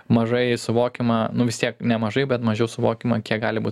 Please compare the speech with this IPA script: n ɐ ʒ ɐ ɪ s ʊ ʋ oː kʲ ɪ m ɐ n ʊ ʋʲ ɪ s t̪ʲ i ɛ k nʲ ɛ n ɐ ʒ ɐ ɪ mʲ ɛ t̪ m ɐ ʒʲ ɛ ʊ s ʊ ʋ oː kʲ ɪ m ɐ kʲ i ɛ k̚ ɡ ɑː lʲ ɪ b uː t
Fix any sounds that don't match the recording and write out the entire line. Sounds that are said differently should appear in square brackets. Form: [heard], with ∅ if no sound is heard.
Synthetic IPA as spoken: [m] ɐ ʒ ɐ ɪ s ʊ ʋ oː kʲ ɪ m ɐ n ʊ ʋʲ ɪ s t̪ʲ i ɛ k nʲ ɛ [m] ɐ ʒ ɐ ɪ [bʲ] ɛ t̪ m ɐ ʒʲ ɛ ʊ s ʊ ʋ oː kʲ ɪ m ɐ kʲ i ɛ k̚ ɡ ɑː lʲ ɪ b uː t